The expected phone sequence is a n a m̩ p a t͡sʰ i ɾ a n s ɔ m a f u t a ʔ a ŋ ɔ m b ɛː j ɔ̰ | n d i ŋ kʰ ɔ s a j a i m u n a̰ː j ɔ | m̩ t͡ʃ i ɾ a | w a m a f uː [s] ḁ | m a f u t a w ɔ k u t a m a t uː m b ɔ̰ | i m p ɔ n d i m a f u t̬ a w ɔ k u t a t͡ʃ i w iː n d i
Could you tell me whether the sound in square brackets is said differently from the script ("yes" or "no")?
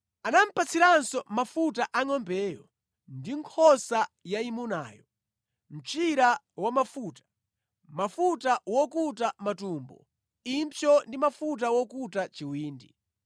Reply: yes